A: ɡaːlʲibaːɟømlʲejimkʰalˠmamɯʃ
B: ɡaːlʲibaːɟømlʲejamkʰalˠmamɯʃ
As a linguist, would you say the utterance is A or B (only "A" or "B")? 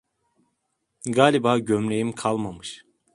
A